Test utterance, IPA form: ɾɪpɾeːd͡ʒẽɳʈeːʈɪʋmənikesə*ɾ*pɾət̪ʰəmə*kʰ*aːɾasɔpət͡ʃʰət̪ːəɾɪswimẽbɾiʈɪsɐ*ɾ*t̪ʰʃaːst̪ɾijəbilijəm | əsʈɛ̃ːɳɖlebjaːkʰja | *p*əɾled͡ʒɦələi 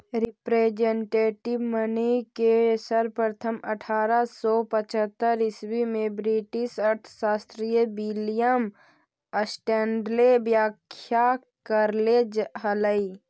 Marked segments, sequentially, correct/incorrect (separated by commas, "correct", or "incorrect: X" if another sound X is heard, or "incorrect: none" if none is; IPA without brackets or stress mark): correct, incorrect: ʈʰ, correct, incorrect: k